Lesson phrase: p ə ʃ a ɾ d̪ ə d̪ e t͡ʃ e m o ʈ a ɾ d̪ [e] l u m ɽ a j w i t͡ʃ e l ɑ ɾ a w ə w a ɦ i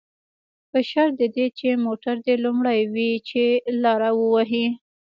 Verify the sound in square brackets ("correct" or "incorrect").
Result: correct